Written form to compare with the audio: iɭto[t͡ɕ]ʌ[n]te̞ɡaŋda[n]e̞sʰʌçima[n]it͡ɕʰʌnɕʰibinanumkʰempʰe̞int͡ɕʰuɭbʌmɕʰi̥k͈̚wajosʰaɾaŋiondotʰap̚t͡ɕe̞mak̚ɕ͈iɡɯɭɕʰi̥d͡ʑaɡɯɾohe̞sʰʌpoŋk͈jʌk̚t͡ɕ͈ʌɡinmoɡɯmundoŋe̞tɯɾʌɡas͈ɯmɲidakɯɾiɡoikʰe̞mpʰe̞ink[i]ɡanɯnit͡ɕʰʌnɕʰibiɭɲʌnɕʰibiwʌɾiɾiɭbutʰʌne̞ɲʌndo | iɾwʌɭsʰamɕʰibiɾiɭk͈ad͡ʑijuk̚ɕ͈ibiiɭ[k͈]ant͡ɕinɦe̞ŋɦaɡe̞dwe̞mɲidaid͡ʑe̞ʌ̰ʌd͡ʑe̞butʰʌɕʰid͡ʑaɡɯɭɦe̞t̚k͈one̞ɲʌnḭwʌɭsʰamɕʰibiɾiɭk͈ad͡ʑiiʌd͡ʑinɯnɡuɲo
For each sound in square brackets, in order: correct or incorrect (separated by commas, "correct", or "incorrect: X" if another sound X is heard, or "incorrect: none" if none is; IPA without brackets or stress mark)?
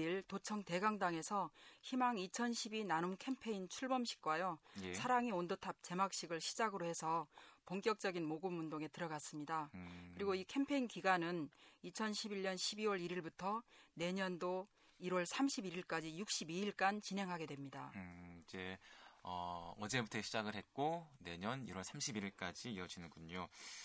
incorrect: t͡ɕʰ, incorrect: ŋ, incorrect: ŋ, incorrect: ŋ, correct, correct